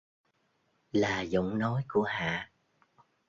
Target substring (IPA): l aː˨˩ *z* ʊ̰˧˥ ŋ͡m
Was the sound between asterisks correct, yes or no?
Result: yes